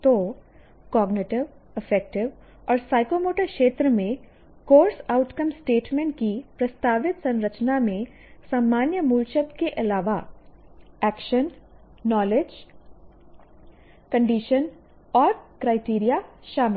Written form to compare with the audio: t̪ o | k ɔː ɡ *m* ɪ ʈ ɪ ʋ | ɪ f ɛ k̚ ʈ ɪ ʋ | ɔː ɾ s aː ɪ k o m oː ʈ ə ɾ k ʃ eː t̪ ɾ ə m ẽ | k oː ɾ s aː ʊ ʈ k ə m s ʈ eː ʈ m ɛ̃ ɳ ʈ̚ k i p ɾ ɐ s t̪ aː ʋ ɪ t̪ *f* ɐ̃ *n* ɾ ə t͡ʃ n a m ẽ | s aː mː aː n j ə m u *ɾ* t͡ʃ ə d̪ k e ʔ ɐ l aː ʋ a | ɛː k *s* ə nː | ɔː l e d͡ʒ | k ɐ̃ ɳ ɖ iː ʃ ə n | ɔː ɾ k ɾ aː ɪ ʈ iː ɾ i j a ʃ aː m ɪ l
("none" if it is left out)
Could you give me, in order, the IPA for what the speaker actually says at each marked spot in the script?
n, s, n, l, ʃ

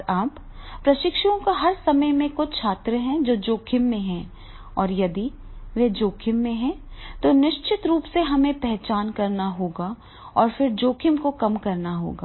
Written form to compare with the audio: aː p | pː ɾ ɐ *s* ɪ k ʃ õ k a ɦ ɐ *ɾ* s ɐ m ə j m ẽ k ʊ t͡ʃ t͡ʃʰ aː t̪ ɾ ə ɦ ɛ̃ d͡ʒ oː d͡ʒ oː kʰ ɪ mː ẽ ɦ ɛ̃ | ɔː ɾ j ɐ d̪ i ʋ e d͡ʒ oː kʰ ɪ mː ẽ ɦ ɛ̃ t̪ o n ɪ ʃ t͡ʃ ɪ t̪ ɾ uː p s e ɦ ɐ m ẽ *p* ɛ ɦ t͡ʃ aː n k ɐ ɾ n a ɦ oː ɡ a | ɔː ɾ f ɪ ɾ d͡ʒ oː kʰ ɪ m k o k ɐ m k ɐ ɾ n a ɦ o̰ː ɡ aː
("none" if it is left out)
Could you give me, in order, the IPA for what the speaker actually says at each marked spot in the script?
ʃ, ɾ, p

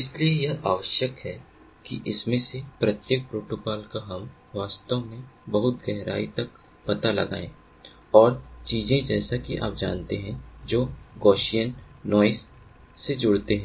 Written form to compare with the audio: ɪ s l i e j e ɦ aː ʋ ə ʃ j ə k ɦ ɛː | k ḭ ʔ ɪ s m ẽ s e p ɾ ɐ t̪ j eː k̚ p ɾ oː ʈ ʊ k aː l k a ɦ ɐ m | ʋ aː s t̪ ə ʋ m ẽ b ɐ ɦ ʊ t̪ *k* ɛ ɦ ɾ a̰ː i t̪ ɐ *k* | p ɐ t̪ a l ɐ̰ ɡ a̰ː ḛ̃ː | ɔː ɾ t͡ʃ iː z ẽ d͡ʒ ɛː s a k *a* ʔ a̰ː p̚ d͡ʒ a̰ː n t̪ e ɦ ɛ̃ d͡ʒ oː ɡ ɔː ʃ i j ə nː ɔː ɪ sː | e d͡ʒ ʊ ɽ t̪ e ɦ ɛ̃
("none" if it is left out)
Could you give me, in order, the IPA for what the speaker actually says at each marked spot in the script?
ɡ, k, i

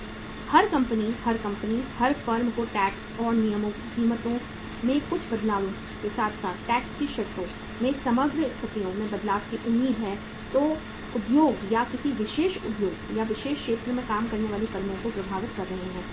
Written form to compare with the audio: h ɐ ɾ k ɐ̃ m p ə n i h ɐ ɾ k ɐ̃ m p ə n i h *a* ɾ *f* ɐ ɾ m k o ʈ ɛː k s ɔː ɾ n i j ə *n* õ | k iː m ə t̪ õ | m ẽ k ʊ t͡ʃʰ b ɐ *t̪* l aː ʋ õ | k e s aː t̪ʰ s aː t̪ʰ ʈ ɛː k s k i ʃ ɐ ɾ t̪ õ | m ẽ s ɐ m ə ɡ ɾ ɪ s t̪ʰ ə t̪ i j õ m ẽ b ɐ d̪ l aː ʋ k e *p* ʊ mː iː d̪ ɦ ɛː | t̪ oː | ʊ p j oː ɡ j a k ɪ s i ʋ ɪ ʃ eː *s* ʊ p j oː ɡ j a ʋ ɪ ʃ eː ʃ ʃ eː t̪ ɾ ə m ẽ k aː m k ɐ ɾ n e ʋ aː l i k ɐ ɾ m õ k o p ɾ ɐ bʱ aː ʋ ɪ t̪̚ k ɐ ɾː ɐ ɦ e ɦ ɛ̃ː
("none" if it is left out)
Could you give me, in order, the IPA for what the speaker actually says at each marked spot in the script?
ɐ, f, m, d̪, ʔ, ʃ

